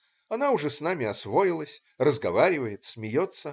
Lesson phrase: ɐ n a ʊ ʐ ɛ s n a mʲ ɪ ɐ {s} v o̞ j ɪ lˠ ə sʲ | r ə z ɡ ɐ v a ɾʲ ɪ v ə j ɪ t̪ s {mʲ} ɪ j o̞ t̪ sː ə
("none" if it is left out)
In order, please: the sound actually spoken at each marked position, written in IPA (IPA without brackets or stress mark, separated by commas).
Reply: s, mʲ